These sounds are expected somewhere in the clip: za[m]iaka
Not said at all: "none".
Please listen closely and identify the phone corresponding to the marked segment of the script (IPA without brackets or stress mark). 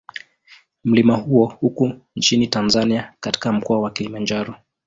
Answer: n